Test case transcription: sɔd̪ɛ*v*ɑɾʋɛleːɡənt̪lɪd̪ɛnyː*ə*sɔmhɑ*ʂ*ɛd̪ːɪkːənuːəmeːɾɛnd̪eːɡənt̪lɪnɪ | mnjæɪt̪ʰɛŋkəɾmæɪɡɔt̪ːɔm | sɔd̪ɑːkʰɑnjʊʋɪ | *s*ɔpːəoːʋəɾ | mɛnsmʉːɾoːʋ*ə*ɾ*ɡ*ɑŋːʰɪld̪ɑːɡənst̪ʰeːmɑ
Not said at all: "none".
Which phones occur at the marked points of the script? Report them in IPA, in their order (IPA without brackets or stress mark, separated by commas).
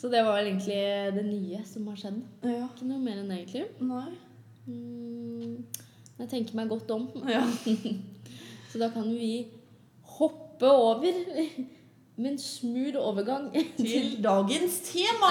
ʋ, ə, ʂ, h, ə, ɡ